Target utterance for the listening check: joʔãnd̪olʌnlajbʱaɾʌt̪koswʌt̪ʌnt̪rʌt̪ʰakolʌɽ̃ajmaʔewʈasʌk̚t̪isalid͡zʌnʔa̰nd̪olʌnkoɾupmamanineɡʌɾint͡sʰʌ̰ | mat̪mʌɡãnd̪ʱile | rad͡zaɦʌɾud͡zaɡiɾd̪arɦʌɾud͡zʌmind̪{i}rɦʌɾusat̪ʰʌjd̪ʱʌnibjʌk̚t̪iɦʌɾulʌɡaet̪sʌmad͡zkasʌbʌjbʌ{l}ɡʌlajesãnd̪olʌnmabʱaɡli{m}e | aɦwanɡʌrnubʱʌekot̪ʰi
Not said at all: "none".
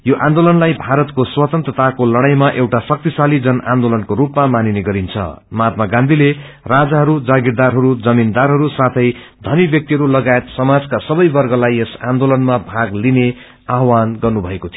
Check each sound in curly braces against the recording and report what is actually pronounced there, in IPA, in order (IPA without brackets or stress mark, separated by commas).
a, r, n